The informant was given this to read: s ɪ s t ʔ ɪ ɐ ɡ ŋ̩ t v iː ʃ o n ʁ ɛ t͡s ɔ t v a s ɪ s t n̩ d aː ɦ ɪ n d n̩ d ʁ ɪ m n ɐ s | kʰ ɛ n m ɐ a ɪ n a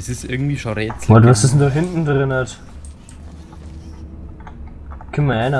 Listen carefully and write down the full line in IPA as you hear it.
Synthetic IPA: s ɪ s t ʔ ɪ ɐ ɡ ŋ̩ t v iː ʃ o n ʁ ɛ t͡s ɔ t v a s ɪ s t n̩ d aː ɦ ɪ n t n̩ d ʁ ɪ n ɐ t | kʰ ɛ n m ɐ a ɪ n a

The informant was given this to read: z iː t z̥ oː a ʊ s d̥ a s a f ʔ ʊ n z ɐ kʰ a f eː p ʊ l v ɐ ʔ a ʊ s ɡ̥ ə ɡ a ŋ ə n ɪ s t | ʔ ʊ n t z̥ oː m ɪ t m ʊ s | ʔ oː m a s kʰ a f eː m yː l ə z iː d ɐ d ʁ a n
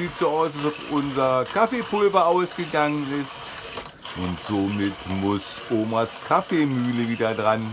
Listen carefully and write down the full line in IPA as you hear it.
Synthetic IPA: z iː t z̥ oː a ʊ s d̥ a s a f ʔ ʊ n z ɐ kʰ a f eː p ʊ l v ɐ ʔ a ʊ s ɡ̥ ə ɡ a ŋ ə n ɪ s t | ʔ ʊ n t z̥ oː m ɪ t m ʊ s | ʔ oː m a s kʰ a f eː m yː l ə v iː d ɐ d ʁ a n

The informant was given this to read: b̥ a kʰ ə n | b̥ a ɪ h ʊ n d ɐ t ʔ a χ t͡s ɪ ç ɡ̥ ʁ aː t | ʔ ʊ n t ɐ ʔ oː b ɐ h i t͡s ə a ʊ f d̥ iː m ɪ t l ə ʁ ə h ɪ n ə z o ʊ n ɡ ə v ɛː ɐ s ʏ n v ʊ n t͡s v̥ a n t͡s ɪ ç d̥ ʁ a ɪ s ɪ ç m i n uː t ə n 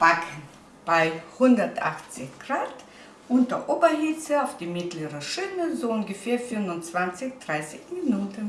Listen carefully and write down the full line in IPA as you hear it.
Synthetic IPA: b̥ a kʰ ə n | b̥ a ɪ h ʊ n d ɐ t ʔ a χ t͡s ɪ ç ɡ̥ ʁ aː t | ʔ ʊ n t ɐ ʔ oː b ɐ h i t͡s ə a ʊ f d̥ iː m ɪ t l ə ʁ ə ʃ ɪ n ə z o ʊ n ɡ ə f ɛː ɐ f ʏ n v ʊ n t͡s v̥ a n t͡s ɪ ç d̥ ʁ a ɪ s ɪ ç m i n uː t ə n

